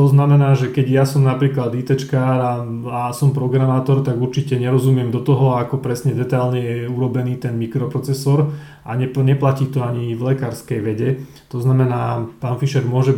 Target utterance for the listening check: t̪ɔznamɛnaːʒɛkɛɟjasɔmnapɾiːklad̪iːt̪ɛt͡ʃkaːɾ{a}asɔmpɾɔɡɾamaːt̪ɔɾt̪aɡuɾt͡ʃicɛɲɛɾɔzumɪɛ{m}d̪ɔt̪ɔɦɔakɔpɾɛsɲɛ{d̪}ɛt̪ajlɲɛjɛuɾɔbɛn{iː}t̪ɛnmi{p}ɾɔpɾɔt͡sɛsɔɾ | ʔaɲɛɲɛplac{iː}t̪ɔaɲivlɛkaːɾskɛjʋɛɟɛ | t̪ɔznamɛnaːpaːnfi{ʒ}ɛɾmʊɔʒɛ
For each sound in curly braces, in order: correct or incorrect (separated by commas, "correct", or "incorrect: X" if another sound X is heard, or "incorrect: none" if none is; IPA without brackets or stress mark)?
correct, correct, correct, correct, incorrect: k, correct, incorrect: ʃ